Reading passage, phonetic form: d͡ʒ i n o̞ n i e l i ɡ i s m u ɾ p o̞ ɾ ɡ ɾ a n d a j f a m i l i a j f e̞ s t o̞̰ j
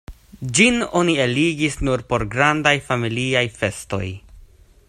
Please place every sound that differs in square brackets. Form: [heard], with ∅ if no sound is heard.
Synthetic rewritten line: d͡ʒ i n o̞ n i e l i ɡ i s [n] u ɾ p o̞ ɾ ɡ ɾ a n d a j f a m i l i a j f e̞ s t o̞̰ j